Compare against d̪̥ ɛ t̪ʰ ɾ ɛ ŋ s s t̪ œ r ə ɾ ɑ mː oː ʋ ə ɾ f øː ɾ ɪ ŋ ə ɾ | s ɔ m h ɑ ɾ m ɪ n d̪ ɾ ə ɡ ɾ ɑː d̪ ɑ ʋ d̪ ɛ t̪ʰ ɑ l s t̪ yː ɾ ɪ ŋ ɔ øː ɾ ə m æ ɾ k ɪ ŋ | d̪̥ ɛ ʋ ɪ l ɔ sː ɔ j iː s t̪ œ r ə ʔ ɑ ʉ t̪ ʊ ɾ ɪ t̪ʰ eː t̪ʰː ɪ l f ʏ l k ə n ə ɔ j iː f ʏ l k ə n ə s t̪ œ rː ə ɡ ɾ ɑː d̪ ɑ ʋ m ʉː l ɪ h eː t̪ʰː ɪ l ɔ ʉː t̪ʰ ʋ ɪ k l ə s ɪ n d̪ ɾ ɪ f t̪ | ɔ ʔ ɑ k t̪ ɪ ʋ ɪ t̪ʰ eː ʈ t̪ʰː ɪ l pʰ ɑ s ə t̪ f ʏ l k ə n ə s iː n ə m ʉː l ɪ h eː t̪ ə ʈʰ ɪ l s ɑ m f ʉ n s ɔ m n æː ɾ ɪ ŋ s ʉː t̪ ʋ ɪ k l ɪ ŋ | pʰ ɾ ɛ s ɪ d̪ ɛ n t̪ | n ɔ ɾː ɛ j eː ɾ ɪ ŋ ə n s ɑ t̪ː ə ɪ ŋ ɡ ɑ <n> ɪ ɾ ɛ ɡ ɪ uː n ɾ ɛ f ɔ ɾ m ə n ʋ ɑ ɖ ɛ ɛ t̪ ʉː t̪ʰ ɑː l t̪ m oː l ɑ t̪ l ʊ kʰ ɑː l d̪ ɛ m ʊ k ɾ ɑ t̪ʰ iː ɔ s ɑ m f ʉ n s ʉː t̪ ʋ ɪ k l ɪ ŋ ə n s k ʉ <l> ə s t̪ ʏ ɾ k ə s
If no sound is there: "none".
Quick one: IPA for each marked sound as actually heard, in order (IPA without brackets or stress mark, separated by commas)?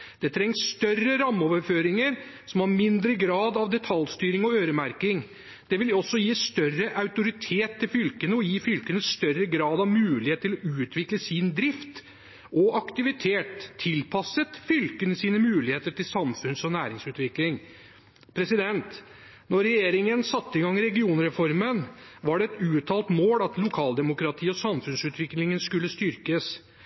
ŋ, lː